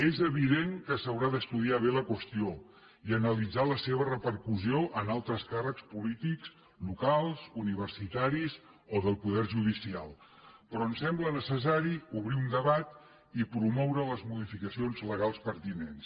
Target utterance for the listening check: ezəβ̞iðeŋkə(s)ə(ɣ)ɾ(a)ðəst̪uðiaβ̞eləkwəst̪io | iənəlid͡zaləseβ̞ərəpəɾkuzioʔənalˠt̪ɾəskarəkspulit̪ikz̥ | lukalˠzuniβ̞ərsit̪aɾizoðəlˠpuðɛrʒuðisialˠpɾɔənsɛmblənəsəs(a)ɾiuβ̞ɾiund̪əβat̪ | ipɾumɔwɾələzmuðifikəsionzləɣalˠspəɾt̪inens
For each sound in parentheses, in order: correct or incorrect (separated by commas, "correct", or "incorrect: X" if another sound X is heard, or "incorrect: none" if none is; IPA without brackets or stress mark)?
correct, incorrect: w, correct, correct